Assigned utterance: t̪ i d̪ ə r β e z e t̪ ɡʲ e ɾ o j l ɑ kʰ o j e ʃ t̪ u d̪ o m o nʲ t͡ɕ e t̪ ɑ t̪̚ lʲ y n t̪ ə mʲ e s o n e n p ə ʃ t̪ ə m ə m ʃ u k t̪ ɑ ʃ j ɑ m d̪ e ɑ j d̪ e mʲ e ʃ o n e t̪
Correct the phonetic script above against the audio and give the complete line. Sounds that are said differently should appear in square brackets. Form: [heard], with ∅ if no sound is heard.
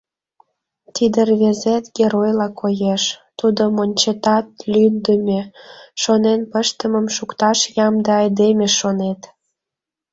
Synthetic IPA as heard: t̪ i d̪ ə r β e z e t̪ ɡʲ e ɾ o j l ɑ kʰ o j e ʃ t̪ u d̪ o m o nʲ t͡ɕ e t̪ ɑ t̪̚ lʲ y n [d̪] ə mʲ e [ʃ] o n e n p ə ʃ t̪ ə m ə m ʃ u k t̪ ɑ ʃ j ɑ m d̪ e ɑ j d̪ e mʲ e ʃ o n e t̪

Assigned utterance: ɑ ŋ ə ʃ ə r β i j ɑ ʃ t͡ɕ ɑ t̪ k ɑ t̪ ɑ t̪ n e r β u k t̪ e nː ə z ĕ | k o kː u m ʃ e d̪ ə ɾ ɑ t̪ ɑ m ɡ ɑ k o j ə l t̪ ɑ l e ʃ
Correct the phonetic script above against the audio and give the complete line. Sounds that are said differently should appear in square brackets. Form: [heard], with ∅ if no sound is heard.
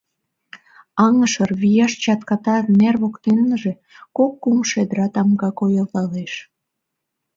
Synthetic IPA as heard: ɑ ŋ ə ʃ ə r β i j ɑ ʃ t͡ɕ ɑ t̪ k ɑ t̪ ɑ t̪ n e r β [o] k t̪ e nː ə [ʒ] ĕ | k o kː u m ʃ e d̪ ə ɾ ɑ t̪ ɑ m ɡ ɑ k o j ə l t̪ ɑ l e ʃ

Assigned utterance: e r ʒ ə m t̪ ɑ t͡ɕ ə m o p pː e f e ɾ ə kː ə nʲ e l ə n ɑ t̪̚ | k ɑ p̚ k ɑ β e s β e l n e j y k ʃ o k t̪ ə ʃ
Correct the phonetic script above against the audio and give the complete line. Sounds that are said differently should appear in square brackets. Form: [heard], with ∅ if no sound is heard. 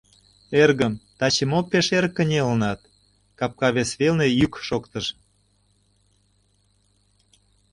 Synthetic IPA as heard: e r [ɣ] ə m t̪ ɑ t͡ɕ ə m o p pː e [ʃ] e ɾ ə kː ə nʲ e l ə n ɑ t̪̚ | k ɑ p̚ k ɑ β e s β e l n e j y k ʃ o k t̪ ə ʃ

